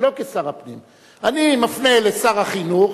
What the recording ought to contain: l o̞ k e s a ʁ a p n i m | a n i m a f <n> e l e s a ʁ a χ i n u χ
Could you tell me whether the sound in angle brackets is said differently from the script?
no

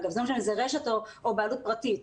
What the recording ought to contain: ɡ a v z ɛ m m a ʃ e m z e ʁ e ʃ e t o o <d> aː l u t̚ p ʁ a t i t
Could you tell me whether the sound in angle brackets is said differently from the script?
yes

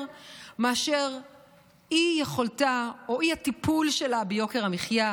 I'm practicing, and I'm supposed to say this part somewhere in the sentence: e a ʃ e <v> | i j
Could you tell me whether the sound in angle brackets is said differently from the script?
yes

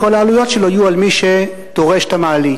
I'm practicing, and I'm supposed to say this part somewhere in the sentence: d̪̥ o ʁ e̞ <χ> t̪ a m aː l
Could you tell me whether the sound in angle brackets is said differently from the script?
yes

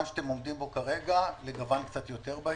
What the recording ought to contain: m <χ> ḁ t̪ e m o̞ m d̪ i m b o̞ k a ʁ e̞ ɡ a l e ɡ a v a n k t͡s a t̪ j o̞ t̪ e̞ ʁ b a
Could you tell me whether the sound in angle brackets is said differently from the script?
yes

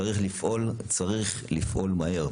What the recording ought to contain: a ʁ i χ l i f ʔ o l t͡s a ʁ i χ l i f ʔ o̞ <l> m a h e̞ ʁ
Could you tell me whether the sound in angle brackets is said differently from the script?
no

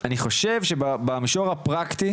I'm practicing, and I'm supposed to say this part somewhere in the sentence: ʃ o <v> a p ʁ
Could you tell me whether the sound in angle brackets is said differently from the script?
yes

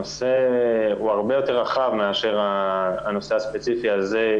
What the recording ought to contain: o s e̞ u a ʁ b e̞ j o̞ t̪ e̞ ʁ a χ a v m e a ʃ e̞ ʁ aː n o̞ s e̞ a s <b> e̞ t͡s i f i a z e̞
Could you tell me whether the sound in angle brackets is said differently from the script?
yes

